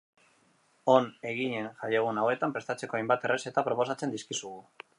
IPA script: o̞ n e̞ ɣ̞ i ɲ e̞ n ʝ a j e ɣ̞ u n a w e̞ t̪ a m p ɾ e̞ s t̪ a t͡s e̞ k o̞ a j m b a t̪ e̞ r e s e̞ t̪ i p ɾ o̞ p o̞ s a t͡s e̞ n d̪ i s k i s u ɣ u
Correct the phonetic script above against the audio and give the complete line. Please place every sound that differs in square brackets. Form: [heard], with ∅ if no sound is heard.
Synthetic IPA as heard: o̞ n e̞ ɣ̞ i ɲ e̞ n ʝ a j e ɣ̞ u n a w e̞ t̪ a m p ɾ e̞ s t̪ a t͡s e̞ k o̞ a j m b a t̪ e̞ r e s e̞ t̪ [a] p ɾ o̞ p o̞ s a t͡s e̞ n d̪ i s k i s u ɣ u